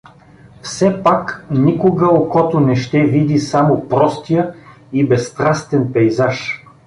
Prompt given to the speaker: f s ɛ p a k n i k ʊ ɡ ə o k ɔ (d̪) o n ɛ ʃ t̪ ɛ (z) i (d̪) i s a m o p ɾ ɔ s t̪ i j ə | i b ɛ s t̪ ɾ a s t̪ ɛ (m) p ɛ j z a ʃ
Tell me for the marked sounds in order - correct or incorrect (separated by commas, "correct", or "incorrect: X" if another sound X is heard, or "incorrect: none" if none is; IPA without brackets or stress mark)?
incorrect: t̪, incorrect: v, correct, incorrect: n